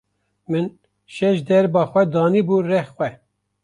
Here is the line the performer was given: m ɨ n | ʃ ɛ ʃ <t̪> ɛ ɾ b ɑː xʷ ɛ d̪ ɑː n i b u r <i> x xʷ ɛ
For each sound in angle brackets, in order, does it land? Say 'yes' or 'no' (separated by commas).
no, no